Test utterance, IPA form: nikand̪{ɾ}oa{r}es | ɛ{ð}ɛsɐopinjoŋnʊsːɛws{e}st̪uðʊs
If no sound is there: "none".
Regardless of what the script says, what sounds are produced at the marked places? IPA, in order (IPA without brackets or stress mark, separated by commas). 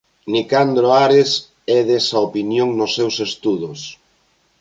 ɾ, ɾ, ð, e